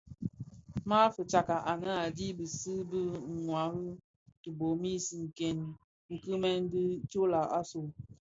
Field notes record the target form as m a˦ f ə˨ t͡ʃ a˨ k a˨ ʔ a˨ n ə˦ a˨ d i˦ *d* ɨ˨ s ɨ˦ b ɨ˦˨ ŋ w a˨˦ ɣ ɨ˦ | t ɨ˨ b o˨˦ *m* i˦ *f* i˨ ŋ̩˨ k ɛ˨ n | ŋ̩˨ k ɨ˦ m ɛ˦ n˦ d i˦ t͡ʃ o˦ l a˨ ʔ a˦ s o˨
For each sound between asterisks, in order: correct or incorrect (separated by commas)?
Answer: incorrect, correct, incorrect